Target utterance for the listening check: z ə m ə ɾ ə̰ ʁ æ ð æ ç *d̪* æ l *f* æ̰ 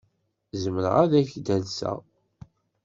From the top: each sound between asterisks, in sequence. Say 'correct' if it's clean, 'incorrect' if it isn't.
correct, incorrect: s

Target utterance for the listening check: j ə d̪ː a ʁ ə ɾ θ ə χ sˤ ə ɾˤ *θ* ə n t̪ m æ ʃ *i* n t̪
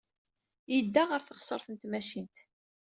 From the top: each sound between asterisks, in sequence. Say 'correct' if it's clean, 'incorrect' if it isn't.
correct, correct

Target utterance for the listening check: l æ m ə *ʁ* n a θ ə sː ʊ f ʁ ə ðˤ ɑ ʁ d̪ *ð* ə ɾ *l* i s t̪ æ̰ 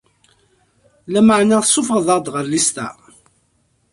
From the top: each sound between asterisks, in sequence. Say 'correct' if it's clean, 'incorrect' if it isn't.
incorrect: ʕ, incorrect: ʁ, correct

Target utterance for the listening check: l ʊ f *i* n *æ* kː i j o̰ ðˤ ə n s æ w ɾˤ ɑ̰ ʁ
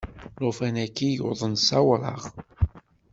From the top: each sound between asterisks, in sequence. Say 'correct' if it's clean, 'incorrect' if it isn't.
incorrect: æ, correct

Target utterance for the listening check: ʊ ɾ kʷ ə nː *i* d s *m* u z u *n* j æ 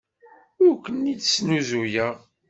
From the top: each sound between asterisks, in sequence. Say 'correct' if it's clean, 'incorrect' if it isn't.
correct, incorrect: n, incorrect: none

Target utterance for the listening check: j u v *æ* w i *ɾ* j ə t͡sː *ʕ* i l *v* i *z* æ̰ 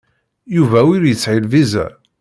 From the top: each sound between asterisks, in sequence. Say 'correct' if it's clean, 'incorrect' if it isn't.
correct, correct, correct, correct, correct

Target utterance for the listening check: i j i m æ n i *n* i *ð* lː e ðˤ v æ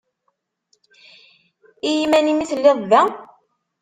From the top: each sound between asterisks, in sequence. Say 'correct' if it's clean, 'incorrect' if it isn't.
incorrect: m, incorrect: θ

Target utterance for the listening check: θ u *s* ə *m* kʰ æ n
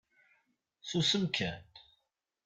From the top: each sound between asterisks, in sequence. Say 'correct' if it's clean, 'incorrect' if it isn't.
correct, correct

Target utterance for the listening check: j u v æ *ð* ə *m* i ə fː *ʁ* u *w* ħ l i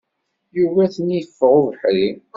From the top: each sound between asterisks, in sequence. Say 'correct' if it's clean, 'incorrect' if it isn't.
incorrect: θ, incorrect: n, correct, incorrect: v

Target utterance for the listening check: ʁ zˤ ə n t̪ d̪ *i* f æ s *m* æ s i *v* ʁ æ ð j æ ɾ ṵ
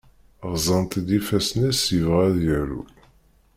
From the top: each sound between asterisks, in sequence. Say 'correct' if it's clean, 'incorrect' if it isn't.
correct, incorrect: n, correct

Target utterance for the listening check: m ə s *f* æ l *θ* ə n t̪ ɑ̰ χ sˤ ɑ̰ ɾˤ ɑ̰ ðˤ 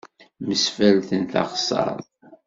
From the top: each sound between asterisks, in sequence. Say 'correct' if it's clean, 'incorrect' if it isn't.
correct, correct

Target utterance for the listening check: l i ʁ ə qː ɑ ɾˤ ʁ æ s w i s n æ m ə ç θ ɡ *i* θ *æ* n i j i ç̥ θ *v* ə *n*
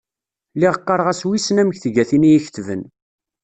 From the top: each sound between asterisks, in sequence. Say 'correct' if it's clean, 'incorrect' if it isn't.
incorrect: æ, incorrect: i, correct, correct

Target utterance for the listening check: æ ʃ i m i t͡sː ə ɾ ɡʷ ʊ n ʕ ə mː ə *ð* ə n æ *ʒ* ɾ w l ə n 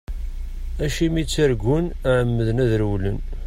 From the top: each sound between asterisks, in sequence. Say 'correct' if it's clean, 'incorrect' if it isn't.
correct, incorrect: ð

